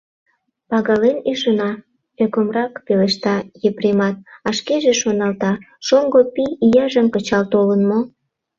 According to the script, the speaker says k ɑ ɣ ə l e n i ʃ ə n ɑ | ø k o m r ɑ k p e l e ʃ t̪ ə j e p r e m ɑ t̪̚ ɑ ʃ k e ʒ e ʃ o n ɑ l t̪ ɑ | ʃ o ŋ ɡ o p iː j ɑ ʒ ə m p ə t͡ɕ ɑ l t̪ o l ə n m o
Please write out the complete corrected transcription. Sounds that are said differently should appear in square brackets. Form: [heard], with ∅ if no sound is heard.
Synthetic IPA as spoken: [p] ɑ ɣ [ɑ] l e n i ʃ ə n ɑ | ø k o m r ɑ k p e l e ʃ t̪ [ɑ] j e p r e m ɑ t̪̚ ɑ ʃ k e ʒ e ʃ o n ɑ l t̪ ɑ | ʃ o ŋ ɡ o p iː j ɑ ʒ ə m [k] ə t͡ɕ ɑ l t̪ o l ə n m o